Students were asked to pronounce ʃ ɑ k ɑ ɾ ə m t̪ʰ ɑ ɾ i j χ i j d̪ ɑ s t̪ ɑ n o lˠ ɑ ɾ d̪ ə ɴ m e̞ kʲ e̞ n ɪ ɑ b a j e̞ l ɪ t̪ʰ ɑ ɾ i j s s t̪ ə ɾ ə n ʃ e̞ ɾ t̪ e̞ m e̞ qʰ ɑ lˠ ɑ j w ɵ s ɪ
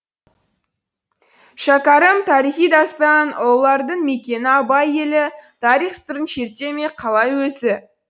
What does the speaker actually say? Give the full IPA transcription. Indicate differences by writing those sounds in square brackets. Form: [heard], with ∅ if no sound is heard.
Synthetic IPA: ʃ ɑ k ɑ ɾ ə m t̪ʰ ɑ ɾ i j χ i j d̪ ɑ s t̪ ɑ n o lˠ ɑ ɾ d̪ ə ɴ m e̞ kʲ e̞ n ɪ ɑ b [ɑ] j e̞ l ɪ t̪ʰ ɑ ɾ i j [χ] s t̪ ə ɾ ə n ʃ e̞ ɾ t̪ e̞ m e̞ qʰ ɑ lˠ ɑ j w ɵ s ɪ

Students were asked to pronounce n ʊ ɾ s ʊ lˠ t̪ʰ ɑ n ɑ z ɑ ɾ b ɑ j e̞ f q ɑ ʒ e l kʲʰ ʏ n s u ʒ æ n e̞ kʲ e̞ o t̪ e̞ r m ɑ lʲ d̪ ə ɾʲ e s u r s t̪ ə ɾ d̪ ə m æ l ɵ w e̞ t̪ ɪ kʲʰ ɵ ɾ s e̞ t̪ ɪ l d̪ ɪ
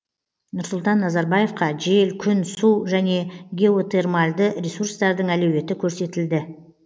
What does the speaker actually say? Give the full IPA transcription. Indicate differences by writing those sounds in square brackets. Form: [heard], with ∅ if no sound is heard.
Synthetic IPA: n ʊ ɾ s ʊ lˠ [t̪] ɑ [nː] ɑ z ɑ ɾ b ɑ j e̞ f q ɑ ʒ e l kʲʰ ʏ n s u ʒ æ n e̞ [ɡʲ] e̞ o t̪ e̞ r m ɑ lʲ d̪ ə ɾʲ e s u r s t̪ [ɑ] ɾ d̪ ə [ɴ] æ l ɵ w e̞ t̪ ɪ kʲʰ ɵ ɾ s e̞ t̪ ɪ l d̪ ɪ

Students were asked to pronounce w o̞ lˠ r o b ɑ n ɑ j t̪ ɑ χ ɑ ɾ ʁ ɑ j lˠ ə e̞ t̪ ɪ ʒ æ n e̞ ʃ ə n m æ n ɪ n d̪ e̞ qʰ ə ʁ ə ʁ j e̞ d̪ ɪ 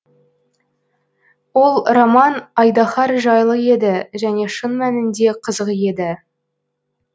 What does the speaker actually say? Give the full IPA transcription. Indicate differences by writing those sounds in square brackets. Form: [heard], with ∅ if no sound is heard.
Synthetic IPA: w o̞ lˠ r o [m] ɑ n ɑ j [d̪] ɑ χ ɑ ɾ [ʒ] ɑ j lˠ ə e̞ [d̪] ɪ ʒ æ n e̞ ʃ ə n m æ n ɪ n d̪ e̞ qʰ ə [z] ə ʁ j e̞ d̪ ɪ

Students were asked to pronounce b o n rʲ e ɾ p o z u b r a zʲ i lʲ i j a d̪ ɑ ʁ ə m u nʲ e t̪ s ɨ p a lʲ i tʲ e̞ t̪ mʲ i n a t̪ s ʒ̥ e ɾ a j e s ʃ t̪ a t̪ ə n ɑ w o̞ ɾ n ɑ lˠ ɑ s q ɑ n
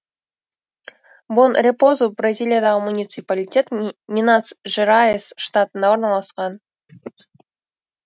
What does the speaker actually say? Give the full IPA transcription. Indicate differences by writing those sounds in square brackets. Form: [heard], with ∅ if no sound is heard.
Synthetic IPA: b o n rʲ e [∅] p o z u b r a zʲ i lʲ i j a d̪ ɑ ʁ ə m u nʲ [i] t̪ s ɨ p a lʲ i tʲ e̞ t̪ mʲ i n a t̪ s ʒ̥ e ɾ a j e s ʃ t̪ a t̪ ə n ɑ w o̞ ɾ n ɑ lˠ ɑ s q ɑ n

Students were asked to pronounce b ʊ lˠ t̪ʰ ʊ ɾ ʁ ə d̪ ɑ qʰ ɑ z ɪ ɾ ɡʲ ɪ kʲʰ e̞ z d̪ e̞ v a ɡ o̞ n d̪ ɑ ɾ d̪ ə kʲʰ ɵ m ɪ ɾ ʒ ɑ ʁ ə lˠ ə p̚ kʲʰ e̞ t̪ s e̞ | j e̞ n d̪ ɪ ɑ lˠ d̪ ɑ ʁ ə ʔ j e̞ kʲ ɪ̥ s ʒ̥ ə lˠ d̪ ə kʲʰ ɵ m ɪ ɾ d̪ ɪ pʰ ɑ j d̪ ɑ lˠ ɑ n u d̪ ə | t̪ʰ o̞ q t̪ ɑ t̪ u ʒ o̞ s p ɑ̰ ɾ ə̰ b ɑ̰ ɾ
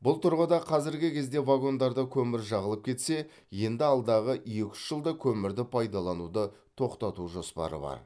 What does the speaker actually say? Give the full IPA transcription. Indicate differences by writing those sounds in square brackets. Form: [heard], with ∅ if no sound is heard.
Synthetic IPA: b ʊ lˠ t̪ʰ ʊ ɾ ʁ ə d̪ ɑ qʰ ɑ z ɪ ɾ ɡʲ ɪ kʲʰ e̞ z d̪ e̞ v a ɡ o̞ n d̪ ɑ ɾ d̪ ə kʲʰ ɵ m ɪ ɾ ʒ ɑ ʁ ə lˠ ə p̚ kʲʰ e̞ t̪ s e̞ | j e̞ n d̪ ɪ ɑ lˠ d̪ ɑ ʁ ə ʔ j e̞ kʲ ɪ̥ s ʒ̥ ə lˠ d̪ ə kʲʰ ɵ m ɪ ɾ d̪ ɪ pʰ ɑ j d̪ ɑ lˠ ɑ n u d̪ ə | t̪ʰ o̞ q t̪ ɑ t̪ u ʒ o̞ s p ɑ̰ ɾ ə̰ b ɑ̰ ɾ

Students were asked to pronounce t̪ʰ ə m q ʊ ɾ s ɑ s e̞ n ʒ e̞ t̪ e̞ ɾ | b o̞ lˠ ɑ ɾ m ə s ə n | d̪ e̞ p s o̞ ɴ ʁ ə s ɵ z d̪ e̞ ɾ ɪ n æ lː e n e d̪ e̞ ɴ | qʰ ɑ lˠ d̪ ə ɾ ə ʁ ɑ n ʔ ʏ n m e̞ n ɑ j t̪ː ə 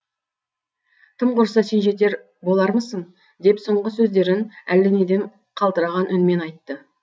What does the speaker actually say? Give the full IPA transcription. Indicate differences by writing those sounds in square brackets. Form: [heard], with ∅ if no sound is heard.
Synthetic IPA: t̪ʰ ə m q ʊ ɾ s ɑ s e̞ n ʒ e̞ t̪ e̞ ɾ | b o̞ lˠ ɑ ɾ m ə s ə [ɴ] | d̪ e̞ p s o̞ ɴ ʁ ə s ɵ z d̪ e̞ ɾ ɪ n æ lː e n e d̪ e̞ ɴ | qʰ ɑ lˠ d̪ ə ɾ [ɑ] ʁ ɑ n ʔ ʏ n m e̞ n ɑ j t̪ː ə

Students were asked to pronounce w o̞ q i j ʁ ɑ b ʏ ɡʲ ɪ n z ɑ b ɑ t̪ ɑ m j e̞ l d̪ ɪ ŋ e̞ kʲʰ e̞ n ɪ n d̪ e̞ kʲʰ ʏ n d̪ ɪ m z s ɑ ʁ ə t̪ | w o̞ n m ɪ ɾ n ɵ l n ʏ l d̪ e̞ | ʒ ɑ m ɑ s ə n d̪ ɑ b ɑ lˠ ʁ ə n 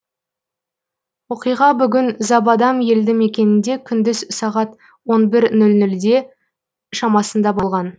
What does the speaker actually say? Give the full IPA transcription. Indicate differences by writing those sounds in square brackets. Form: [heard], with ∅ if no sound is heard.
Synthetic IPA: w o̞ q i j ʁ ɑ b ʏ ɡʲ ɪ n z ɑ b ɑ [d̪] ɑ m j e̞ l d̪ ɪ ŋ e̞ [kʲ] e̞ n ɪ n d̪ e̞ kʲʰ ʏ n d̪ ɪ [∅] z s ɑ ʁ [ɑ] t̪ | w o̞ n [b] ɪ ɾ n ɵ l n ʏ l d̪ e̞ | [ʃ] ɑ m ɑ s ə n d̪ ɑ b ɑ lˠ ʁ [ɑ] n

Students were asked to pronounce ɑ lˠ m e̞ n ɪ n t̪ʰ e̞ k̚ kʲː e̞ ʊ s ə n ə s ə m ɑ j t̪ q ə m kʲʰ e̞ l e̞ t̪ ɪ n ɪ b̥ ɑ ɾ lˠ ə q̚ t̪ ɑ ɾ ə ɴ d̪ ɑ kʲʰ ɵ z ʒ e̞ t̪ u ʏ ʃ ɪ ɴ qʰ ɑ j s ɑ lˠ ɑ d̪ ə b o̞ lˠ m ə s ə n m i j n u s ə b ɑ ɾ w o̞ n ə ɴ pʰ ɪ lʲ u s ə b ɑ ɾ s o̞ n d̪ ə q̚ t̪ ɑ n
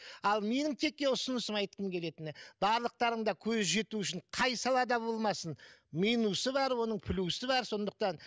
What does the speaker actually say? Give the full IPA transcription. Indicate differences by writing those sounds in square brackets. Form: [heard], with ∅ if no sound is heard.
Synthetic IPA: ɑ lˠ m e̞ n ɪ [ŋ] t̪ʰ e̞ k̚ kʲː e̞ ʊ s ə n ə s ə m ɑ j t̪ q ə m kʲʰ e̞ l e̞ t̪ ɪ n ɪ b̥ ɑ ɾ lˠ ə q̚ t̪ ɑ ɾ ə ɴ d̪ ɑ kʲʰ ɵ z ʒ e̞ t̪ u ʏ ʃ ɪ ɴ qʰ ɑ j s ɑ lˠ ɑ d̪ [ɑ] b o̞ lˠ m [ɑ] s ə n m i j n u s ə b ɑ ɾ w o̞ n ə ɴ pʰ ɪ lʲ u s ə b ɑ ɾ s o̞ n d̪ ə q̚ t̪ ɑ n

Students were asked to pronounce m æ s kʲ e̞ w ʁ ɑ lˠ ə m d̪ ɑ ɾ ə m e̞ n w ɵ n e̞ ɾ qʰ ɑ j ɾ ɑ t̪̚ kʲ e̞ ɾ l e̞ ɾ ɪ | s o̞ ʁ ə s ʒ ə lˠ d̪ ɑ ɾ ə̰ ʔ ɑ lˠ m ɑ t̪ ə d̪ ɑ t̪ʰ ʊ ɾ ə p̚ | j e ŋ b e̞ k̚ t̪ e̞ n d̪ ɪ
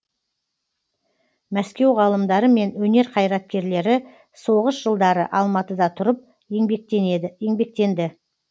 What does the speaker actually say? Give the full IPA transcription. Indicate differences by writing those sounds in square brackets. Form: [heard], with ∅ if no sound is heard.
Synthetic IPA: m æ s kʲ e̞ w ʁ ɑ lˠ ə m d̪ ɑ ɾ ə m e̞ n w ɵ n e̞ ɾ qʰ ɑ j ɾ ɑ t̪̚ kʲ e̞ ɾ l e̞ ɾ ɪ | s o̞ ʁ ə s ʒ ə lˠ d̪ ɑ ɾ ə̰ ʔ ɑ lˠ m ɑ t̪ ə d̪ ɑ t̪ʰ ʊ ɾ ə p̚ | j e ŋ b e̞ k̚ t̪ e̞ n d̪ ɪ

